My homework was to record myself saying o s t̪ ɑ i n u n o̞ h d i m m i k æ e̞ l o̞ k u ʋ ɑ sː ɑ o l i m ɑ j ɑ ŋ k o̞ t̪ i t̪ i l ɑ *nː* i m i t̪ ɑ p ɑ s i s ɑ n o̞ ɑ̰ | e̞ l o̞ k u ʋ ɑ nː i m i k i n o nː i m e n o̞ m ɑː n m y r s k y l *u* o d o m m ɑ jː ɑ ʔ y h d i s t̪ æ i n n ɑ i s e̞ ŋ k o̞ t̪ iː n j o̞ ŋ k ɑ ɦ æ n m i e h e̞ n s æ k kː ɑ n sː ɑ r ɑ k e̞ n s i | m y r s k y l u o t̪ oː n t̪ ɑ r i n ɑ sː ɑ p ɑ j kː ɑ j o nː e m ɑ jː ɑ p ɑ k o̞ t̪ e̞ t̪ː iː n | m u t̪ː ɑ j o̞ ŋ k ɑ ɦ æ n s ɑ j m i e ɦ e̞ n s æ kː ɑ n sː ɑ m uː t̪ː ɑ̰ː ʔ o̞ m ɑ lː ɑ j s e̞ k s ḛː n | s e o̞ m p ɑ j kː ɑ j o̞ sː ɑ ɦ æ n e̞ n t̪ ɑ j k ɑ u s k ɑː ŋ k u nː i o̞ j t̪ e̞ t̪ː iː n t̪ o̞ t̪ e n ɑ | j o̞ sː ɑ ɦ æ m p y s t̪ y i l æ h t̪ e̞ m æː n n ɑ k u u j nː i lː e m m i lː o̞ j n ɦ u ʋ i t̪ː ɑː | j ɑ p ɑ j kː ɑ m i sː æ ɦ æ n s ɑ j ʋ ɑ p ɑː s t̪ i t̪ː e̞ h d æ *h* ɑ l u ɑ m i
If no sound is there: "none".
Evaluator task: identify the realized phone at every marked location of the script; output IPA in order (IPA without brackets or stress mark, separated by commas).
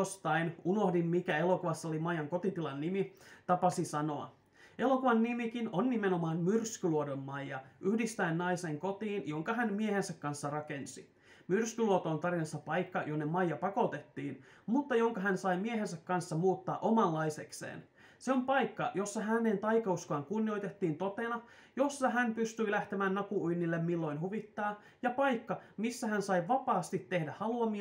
nː, u, h